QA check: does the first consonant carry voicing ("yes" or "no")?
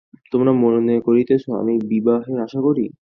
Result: no